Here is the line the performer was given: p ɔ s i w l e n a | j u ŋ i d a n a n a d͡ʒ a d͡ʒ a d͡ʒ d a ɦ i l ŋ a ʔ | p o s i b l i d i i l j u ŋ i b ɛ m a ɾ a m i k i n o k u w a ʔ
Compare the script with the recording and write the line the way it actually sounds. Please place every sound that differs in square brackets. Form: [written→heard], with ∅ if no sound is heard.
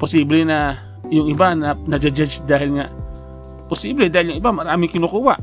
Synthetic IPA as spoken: p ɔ s i [w→b] l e n a | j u ŋ i [d→b] a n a n a d͡ʒ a d͡ʒ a d͡ʒ d a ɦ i l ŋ a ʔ | p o s i b l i d [i→a] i l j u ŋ i b [ɛ→a] m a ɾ a m i k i n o k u w a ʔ